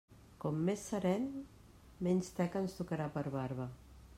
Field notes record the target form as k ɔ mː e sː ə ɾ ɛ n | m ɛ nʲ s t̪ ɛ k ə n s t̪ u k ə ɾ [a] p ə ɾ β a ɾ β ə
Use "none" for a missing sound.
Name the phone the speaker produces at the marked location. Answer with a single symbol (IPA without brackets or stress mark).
a